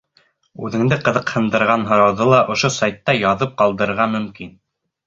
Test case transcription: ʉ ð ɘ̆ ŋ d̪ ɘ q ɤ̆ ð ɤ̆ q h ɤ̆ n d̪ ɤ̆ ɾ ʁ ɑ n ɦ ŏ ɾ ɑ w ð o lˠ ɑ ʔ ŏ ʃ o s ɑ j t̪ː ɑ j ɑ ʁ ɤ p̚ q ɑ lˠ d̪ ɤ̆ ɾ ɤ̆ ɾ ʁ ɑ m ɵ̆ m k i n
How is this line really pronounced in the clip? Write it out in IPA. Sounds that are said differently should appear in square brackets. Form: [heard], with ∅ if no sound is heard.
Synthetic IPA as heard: ʉ ð ɘ̆ ŋ d̪ ɘ q ɤ̆ ð ɤ̆ q h ɤ̆ n d̪ ɤ̆ ɾ ʁ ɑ n ɦ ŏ ɾ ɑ w ð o lˠ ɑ ʔ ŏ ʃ o s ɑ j t̪ː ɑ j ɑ [ð] ɤ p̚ q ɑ lˠ d̪ ɤ̆ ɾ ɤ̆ ɾ ʁ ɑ m ɵ̆ m k i n

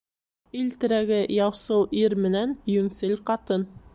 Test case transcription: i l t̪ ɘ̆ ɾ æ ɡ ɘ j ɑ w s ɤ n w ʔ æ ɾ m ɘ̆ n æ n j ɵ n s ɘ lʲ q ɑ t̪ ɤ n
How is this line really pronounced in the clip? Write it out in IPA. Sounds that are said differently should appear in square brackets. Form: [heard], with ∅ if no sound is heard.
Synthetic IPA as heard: i l t̪ ɘ̆ ɾ æ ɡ ɘ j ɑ w s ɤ [∅] w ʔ [i] ɾ m ɘ̆ n æ n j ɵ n s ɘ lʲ q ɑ t̪ ɤ n

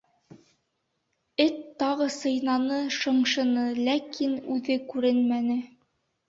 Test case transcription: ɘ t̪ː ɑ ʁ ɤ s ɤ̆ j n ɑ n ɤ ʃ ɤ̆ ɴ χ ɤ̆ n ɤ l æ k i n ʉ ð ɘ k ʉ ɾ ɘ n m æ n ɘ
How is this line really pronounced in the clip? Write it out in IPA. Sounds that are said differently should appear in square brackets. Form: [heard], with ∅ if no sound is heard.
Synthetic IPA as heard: ɘ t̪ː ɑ ʁ ɤ s ɤ̆ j n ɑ n ɤ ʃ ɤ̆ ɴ [ʃ] ɤ̆ n ɤ l æ k i n ʉ ð ɘ k ʉ ɾ ɘ n m æ n ɘ

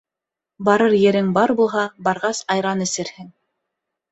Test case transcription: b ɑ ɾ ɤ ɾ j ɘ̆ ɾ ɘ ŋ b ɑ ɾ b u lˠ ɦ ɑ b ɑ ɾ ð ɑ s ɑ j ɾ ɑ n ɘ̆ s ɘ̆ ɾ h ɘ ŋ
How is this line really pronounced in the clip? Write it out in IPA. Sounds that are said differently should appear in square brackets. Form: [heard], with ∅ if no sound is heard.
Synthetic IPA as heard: b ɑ ɾ ɤ ɾ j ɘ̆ ɾ ɘ ŋ b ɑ ɾ b u lˠ ɦ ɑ b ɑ ɾ [ʁ] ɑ s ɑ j ɾ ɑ n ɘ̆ s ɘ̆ ɾ h ɘ ŋ

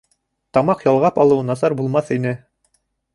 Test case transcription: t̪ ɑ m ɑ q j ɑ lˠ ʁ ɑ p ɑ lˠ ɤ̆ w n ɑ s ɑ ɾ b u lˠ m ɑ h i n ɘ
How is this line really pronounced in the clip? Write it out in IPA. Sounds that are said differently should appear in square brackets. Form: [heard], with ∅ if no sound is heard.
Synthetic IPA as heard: t̪ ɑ m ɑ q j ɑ lˠ ʁ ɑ p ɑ lˠ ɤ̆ w n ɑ s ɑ ɾ b u lˠ m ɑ [θ] i n ɘ

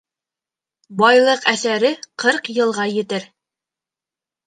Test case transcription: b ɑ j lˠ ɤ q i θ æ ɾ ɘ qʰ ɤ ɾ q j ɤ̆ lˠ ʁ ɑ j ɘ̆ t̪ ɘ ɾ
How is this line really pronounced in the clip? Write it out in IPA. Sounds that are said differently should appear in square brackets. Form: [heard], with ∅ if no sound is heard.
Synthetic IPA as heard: b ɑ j lˠ ɤ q [æ] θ æ ɾ ɘ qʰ ɤ ɾ q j ɤ̆ lˠ ʁ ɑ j ɘ̆ t̪ ɘ ɾ

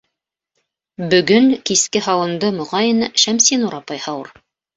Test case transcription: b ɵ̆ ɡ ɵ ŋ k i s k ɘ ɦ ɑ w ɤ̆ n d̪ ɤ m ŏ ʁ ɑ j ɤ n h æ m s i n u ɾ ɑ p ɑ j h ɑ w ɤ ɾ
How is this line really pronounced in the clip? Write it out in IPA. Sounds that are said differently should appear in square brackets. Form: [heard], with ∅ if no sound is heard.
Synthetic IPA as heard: b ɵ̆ ɡ ɵ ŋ k i s k ɘ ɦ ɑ w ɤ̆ n d̪ ɤ m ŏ ʁ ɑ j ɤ n [ʃ] æ m s i n u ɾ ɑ p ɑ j h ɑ w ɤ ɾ

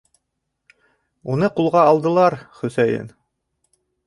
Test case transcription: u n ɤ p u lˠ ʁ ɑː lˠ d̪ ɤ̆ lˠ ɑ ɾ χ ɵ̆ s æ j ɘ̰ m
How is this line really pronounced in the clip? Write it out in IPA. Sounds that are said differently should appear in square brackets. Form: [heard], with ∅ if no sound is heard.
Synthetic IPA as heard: u n ɤ [q] u lˠ ʁ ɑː lˠ d̪ ɤ̆ lˠ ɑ ɾ χ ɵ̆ s æ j ɘ̰ [n]

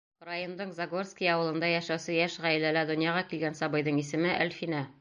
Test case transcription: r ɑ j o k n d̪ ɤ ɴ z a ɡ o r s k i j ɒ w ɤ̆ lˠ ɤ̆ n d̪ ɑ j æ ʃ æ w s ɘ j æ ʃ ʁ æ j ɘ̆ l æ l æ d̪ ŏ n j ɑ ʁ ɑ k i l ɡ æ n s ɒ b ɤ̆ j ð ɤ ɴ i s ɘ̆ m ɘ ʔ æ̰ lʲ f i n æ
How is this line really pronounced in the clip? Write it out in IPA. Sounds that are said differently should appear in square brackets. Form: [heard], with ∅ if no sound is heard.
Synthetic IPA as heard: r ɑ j o [∅] n d̪ ɤ ɴ z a ɡ o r s k i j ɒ w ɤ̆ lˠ ɤ̆ n d̪ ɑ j æ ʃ æ w s ɘ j æ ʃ ʁ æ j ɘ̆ l æ l æ d̪ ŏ n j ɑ ʁ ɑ k i l ɡ æ n s ɒ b ɤ̆ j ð ɤ ɴ i s ɘ̆ m ɘ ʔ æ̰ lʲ f i n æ

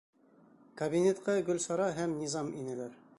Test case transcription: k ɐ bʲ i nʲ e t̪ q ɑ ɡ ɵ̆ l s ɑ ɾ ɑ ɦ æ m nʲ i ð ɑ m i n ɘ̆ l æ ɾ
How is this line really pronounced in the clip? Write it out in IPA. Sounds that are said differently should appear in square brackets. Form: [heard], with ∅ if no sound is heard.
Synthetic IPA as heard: k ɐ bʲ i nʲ e t̪ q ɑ ɡ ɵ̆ l s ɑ ɾ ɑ ɦ æ m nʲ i [z] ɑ m i n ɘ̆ l æ ɾ

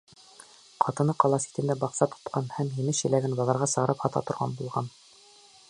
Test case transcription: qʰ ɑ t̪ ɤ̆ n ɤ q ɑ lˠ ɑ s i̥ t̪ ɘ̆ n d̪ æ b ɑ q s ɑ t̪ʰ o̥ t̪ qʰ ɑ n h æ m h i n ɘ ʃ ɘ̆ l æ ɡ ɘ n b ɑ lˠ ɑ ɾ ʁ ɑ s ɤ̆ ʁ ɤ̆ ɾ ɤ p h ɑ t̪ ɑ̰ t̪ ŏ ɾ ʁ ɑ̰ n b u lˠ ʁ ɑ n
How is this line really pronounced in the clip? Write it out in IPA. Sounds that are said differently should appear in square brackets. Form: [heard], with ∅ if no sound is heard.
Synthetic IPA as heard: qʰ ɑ t̪ ɤ̆ n ɤ q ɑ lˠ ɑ s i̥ t̪ ɘ̆ n d̪ æ b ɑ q s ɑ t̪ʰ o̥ t̪ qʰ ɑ n h æ m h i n ɘ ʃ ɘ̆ l æ ɡ ɘ n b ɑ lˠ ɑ ɾ ʁ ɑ s ɤ̆ ʁ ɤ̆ ɾ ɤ p h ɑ t̪ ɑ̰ t̪ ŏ ɾ ʁ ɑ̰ n b u lˠ ʁ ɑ n

